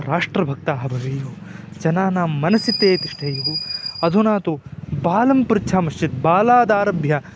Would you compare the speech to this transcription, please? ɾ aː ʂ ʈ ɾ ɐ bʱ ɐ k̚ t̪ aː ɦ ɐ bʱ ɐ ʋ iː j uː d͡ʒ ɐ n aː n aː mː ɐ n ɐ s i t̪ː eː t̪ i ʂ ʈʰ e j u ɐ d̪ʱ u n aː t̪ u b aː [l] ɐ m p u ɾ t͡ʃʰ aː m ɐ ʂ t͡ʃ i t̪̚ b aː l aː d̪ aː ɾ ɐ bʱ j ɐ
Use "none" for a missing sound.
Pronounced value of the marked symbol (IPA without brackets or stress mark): l